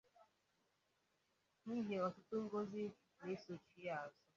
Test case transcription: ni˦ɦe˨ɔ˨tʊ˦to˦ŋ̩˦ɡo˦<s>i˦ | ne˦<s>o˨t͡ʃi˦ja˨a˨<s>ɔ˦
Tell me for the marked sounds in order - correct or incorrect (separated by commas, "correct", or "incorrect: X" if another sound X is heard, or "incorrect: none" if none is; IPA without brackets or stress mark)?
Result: incorrect: z, correct, incorrect: z